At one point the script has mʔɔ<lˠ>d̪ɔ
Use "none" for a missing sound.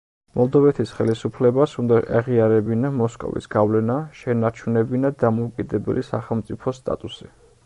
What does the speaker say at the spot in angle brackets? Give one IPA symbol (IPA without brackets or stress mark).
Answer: lˠ